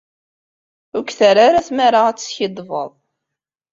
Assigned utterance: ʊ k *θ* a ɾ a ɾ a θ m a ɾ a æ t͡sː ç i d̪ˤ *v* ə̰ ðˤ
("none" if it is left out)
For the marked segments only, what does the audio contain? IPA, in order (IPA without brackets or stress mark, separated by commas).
θ, v